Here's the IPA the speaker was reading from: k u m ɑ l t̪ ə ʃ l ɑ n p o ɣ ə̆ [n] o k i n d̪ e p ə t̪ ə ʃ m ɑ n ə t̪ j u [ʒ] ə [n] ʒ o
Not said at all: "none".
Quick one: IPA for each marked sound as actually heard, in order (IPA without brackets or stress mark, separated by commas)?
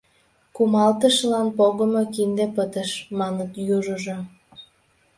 m, ʒ, none